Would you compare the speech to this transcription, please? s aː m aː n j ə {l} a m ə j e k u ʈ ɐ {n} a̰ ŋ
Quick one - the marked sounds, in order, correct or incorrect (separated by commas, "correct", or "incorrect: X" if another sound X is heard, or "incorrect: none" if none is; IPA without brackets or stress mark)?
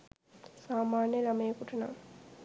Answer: correct, correct